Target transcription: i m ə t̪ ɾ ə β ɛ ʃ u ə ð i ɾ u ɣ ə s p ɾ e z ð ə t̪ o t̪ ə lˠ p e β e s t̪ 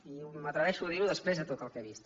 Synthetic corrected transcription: i m ə t̪ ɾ ə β ɛ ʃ u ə ð i ɾ u ð ə s p ɾ e z ð ə t̪ o t̪ ə lˠ k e β i s t̪